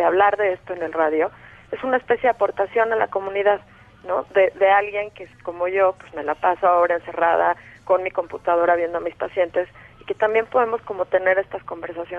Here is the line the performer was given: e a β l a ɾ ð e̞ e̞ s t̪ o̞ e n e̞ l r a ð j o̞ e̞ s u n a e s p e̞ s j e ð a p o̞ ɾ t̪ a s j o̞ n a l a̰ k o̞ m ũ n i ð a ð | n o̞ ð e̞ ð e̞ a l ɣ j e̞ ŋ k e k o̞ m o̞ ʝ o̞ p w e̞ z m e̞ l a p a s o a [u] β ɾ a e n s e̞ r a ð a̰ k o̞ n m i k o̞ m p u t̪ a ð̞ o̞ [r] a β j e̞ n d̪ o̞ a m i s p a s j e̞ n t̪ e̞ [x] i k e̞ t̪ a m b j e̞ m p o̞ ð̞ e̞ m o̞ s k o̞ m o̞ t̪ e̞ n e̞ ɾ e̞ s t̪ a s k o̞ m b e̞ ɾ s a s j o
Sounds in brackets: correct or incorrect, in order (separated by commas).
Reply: incorrect, incorrect, incorrect